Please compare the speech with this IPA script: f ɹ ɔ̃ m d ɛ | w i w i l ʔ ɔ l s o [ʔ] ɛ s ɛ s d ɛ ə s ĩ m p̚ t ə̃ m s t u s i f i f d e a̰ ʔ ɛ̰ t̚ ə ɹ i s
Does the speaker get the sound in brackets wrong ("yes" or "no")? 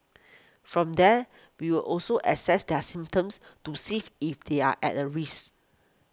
no